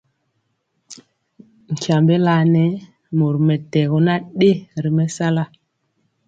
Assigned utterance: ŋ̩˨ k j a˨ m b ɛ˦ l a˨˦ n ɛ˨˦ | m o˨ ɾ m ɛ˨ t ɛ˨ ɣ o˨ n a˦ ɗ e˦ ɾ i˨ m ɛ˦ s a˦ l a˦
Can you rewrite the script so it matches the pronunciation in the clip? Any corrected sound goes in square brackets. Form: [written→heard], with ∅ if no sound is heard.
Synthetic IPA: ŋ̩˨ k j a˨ m b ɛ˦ l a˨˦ n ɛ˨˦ | m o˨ ɾ m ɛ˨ t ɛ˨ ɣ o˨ n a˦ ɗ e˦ ɾ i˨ m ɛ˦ s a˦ l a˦